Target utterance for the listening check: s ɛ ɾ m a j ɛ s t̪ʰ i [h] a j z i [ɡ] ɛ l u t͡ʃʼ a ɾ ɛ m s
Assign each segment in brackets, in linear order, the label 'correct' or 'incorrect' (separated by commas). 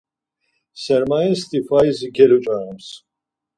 incorrect, correct